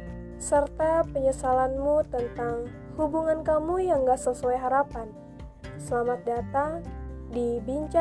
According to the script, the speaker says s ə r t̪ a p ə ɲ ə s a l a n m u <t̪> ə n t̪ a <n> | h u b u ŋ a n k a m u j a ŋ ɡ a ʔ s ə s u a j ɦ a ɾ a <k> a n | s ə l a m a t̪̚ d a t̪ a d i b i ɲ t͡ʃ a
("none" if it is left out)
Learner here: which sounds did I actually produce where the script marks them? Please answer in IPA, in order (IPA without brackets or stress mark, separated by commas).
t̪, ŋ, p